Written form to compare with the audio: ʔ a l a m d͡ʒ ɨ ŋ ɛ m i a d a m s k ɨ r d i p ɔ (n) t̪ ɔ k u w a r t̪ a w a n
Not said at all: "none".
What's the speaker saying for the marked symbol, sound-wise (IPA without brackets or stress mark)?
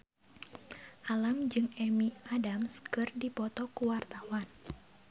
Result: none